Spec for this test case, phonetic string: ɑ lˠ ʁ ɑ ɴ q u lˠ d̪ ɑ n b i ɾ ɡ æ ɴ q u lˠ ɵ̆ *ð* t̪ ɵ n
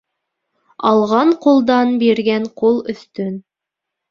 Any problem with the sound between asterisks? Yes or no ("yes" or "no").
yes